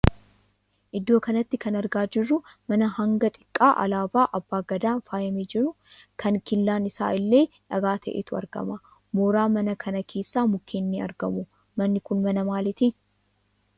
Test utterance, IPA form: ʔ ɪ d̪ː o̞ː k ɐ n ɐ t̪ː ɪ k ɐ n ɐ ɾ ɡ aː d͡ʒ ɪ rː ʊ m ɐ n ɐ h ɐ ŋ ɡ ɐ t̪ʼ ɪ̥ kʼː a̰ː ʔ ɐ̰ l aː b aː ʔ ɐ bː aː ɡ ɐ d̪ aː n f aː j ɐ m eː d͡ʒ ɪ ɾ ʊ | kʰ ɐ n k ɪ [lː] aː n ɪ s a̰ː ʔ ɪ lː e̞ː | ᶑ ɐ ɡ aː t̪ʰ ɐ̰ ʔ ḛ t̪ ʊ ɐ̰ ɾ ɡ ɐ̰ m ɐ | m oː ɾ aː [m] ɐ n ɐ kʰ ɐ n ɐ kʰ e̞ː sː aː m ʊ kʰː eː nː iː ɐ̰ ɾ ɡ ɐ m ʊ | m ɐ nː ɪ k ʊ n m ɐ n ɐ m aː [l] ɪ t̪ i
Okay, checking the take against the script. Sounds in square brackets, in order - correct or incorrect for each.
correct, correct, correct

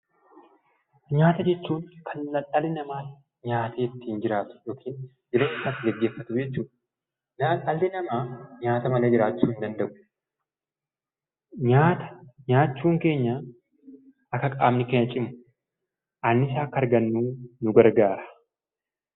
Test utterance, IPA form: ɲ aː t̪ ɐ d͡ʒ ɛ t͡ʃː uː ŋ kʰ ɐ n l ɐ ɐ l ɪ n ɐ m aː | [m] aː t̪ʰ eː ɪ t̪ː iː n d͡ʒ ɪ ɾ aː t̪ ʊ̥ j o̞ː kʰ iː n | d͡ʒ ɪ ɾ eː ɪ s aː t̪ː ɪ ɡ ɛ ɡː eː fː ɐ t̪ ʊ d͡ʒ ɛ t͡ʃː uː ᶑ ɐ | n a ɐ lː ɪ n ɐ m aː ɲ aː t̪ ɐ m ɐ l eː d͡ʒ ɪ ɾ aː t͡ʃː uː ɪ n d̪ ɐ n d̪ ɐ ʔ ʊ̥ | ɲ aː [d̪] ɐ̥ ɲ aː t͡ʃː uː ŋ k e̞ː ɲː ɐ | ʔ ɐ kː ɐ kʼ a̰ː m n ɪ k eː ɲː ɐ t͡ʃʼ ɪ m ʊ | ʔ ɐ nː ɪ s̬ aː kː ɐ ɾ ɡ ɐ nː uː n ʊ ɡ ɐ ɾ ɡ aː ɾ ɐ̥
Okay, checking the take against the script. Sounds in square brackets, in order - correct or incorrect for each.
incorrect: ɲ, incorrect: t̪

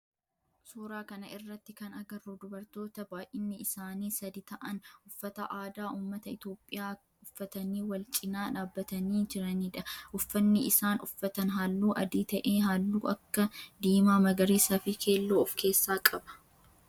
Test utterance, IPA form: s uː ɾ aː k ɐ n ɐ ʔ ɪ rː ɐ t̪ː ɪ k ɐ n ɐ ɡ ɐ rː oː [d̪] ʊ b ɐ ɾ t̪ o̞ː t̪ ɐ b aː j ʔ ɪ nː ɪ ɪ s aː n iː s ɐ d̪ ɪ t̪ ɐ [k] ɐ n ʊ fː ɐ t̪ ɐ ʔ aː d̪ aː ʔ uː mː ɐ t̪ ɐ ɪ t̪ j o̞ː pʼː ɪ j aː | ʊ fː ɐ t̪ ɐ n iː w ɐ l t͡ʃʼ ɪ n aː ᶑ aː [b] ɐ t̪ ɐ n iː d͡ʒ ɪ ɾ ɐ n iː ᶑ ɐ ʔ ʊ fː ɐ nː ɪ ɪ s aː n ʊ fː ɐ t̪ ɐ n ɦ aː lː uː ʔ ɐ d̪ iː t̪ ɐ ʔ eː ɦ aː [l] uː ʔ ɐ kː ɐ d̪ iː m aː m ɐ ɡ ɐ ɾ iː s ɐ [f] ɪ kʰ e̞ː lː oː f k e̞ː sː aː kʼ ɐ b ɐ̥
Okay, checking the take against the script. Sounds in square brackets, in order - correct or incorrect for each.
correct, incorrect: ʔ, incorrect: bː, incorrect: lː, correct

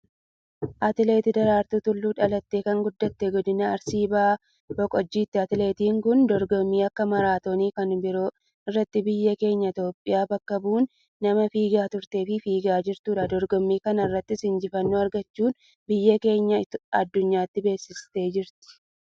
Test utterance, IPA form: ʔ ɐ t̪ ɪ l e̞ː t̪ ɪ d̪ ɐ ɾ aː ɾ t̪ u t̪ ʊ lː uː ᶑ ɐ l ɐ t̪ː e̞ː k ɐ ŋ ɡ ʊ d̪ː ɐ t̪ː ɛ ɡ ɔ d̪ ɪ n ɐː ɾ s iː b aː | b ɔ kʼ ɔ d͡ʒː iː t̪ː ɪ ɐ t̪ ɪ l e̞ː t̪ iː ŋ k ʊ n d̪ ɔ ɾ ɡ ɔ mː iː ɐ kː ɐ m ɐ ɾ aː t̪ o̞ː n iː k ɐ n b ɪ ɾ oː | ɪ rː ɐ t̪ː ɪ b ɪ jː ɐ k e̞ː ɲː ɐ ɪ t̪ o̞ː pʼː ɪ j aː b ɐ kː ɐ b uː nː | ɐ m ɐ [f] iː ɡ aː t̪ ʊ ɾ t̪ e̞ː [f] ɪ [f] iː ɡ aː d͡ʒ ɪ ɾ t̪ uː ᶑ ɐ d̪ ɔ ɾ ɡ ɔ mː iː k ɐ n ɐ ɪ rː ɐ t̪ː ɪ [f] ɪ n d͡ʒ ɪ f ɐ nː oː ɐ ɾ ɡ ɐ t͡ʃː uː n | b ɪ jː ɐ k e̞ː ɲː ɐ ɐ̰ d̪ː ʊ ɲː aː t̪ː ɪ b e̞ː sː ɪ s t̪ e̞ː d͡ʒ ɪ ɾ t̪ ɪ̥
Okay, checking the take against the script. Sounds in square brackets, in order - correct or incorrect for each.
correct, correct, correct, incorrect: s

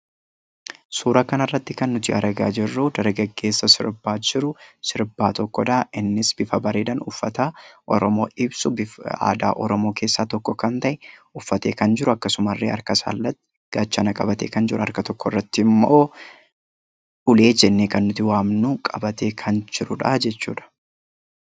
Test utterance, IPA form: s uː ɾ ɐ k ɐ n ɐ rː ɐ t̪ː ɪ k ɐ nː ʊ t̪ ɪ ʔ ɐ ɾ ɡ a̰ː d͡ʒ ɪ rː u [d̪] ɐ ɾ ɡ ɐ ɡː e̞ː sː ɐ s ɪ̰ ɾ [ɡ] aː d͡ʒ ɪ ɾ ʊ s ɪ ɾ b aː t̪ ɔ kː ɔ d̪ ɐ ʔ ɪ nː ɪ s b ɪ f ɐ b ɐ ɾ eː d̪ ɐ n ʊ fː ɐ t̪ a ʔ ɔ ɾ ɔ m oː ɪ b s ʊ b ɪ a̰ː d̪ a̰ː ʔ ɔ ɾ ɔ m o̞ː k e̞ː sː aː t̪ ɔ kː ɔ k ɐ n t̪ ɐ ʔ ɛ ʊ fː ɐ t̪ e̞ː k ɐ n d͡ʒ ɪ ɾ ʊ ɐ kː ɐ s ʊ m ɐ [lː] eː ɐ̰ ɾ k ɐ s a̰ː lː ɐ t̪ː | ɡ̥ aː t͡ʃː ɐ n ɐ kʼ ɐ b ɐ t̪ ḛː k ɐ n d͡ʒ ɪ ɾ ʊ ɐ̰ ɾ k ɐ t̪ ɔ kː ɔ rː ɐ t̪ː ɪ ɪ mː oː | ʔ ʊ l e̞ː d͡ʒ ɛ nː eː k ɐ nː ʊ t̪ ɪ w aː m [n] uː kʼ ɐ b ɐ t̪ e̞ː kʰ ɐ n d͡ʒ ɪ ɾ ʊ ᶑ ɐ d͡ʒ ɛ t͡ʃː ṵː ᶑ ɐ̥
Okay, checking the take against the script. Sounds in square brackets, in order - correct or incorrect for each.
correct, incorrect: b, incorrect: rː, correct

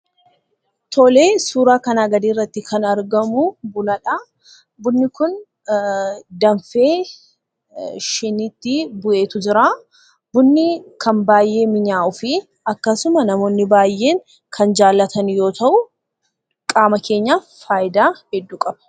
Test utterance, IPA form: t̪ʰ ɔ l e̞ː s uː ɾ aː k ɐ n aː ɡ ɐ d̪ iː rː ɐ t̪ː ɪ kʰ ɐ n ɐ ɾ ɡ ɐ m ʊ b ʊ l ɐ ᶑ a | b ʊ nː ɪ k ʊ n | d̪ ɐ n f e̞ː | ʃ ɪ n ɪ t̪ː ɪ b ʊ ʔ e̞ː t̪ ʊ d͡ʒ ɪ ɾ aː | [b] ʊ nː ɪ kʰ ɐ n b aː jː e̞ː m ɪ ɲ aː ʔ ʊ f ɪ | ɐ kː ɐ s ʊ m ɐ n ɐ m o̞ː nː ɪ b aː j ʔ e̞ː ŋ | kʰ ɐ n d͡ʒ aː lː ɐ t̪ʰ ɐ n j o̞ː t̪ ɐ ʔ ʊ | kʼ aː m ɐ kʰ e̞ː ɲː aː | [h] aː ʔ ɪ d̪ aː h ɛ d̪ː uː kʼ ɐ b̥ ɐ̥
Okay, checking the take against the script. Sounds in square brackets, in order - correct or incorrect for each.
correct, incorrect: f

